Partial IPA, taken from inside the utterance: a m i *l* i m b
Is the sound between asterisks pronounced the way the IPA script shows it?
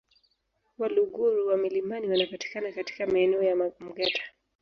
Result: yes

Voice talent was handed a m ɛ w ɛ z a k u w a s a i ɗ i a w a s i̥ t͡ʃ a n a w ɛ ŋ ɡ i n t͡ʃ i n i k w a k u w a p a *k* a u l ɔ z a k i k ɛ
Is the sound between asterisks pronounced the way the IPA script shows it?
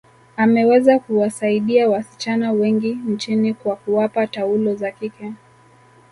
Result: no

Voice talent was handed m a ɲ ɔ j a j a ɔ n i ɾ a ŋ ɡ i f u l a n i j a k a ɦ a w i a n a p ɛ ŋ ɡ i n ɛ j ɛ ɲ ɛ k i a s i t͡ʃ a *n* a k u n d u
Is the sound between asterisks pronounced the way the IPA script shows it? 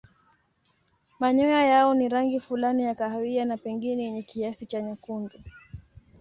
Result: no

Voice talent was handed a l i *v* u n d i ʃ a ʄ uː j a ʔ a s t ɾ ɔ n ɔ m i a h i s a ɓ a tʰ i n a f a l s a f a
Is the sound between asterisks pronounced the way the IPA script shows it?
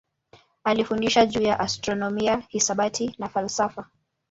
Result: no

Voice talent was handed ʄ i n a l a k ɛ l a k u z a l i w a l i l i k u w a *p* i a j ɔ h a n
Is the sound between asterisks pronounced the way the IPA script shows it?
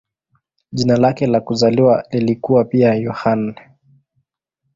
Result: yes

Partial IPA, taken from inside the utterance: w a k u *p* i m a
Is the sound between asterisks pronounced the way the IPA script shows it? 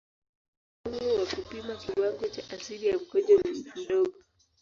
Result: yes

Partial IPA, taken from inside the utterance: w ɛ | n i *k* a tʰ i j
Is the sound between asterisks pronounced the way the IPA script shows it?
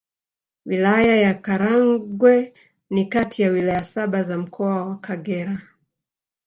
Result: yes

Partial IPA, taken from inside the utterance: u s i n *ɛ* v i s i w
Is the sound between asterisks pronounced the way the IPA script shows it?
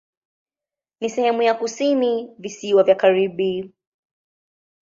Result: no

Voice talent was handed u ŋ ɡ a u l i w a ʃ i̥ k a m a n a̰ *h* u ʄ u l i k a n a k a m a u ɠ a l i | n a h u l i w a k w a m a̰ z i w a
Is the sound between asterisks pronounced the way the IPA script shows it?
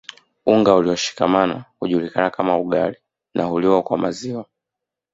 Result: yes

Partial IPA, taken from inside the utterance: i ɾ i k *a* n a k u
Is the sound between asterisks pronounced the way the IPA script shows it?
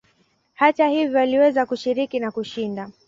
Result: no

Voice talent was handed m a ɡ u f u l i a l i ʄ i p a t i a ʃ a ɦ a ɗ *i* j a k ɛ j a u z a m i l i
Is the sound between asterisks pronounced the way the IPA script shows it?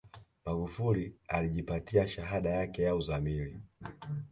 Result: no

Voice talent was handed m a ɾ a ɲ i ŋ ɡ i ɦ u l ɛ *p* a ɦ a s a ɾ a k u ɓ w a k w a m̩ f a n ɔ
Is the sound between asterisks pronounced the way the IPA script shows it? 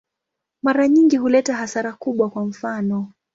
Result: no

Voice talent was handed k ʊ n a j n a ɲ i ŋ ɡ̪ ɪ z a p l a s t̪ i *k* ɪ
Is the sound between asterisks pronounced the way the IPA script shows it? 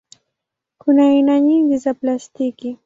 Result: yes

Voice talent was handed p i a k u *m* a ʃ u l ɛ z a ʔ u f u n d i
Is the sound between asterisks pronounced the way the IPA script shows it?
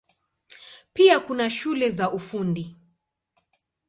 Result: no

